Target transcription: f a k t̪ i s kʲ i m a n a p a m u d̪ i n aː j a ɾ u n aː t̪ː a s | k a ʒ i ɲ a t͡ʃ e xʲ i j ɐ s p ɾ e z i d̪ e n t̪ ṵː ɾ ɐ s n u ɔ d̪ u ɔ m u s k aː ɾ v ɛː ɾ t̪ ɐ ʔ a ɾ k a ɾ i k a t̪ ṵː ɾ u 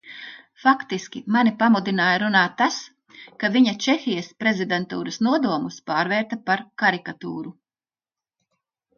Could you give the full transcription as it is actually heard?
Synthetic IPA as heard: f a k t̪ i s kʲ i m a n i p a m u d̪ i n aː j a ɾ u n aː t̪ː a s | k a v i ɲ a t͡ʃ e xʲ i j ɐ s p ɾ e z i d̪ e n t̪ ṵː ɾ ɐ s n u ɔ d̪ u ɔ m u s p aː ɾ v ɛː ɾ t̪ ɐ p a ɾ k a ɾ i k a t̪ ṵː ɾ u